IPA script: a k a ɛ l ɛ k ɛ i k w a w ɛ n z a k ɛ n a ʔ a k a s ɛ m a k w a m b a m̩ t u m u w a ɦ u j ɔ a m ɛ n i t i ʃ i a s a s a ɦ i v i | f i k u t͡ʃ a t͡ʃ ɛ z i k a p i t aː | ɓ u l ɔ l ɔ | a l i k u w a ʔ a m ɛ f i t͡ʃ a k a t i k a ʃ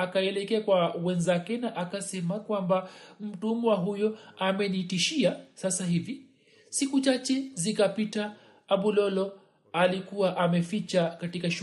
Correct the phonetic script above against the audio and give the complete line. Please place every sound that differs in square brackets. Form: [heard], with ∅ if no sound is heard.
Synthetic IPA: a k a ɛ l ɛ k ɛ [a] k w a w ɛ n z a k ɛ n a ʔ a k a s ɛ m a k w a m b a m̩ t u m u w a ɦ u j ɔ a m ɛ n i t i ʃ i a s a s a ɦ i v i | [s] i k u t͡ʃ a t͡ʃ ɛ z i k a p i t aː | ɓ u l ɔ l ɔ | a l i k u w a ʔ a m ɛ f i t͡ʃ a k a t i k a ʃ